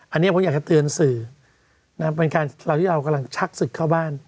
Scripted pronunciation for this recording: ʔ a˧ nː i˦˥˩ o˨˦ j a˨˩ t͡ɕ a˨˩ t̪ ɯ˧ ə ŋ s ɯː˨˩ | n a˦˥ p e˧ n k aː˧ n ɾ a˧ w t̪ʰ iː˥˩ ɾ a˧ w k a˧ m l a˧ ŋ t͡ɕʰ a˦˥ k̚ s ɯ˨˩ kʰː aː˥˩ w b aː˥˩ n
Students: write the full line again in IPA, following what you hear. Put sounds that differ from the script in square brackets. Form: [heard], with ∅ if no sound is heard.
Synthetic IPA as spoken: ʔ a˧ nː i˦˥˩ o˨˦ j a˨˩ t͡ɕ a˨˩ t̪ ɯ˧ ə [n] s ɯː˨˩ | n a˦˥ p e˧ n k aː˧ n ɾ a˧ w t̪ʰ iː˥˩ ɾ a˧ w k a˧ m l a˧ ŋ t͡ɕʰ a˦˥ k̚ s ɯ˨˩ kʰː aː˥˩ w b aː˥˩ n